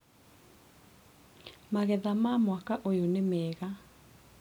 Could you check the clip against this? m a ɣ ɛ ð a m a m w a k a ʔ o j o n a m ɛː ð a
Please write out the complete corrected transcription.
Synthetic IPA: m a ɣ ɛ ð a m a m w a k a ʔ o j o n e m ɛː ɣ a